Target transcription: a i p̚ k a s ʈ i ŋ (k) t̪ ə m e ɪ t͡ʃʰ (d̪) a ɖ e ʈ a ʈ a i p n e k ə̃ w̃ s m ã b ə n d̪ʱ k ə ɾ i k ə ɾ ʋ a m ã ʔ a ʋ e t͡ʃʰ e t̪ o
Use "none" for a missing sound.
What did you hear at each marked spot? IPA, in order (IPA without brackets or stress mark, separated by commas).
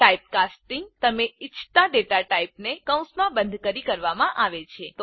ɡ, t̪